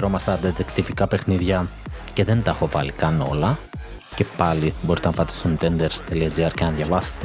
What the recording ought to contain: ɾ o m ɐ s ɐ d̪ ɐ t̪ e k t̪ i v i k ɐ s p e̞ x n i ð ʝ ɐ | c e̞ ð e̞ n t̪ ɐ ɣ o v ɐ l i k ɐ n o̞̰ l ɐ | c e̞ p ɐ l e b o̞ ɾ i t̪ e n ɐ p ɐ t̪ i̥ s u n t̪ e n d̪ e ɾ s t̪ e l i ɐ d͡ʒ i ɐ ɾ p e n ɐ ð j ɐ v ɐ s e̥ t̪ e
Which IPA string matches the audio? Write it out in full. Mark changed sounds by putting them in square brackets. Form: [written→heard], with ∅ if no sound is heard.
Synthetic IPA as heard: ɾ o m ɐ s ɐ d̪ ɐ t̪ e k t̪ i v i k ɐ [s→∅] p e̞ x n i ð ʝ ɐ | c e̞ ð e̞ n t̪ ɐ [ɣ→x] o v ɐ l i k ɐ n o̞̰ l ɐ | c e̞ p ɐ l [e→i] b o̞ ɾ i t̪ e n ɐ p ɐ t̪ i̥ s u n t̪ e n d̪ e ɾ s t̪ e l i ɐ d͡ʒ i ɐ ɾ [p→c] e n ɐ ð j ɐ v ɐ s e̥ t̪ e